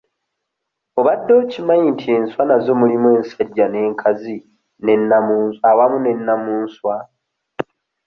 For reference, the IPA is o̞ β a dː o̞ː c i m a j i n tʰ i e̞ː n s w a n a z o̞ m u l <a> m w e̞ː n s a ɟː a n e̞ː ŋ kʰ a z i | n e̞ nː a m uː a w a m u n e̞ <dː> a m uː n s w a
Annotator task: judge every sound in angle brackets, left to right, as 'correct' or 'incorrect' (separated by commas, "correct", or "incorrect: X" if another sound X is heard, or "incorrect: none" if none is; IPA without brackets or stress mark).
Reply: incorrect: i, incorrect: nː